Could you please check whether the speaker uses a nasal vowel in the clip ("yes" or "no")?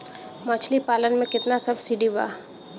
yes